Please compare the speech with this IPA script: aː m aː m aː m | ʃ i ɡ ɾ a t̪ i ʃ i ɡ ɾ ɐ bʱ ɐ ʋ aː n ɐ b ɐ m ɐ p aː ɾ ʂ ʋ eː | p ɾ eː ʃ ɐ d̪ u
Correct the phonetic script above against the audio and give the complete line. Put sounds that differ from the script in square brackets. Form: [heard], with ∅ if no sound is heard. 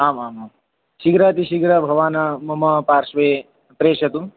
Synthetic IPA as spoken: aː m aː m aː m | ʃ i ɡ ɾ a t̪ i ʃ i ɡ ɾ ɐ bʱ ɐ ʋ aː n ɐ [m] ɐ m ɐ p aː ɾ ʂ ʋ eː | p ɾ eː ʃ ɐ [t̪] u